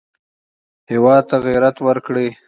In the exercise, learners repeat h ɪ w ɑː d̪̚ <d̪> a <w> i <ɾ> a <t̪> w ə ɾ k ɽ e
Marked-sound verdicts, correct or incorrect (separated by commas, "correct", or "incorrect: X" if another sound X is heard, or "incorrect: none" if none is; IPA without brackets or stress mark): incorrect: t̪, incorrect: ɣ, correct, correct